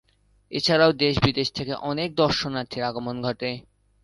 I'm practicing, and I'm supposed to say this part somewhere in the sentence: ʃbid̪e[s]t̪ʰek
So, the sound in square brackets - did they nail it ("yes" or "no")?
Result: no